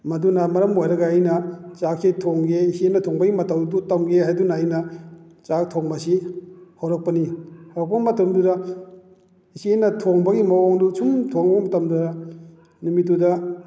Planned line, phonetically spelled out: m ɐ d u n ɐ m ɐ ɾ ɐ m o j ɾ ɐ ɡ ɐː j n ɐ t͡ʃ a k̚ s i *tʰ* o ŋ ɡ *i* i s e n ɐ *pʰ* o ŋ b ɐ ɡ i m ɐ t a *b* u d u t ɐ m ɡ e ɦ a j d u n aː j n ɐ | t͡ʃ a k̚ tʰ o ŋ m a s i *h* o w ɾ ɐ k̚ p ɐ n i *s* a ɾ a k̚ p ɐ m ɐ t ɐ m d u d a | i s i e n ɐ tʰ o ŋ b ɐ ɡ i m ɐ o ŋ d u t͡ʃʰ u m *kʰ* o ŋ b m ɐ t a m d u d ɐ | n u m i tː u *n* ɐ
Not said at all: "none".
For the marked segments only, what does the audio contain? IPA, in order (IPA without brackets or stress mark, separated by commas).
tʰ, e, tʰ, w, h, h, tʰ, d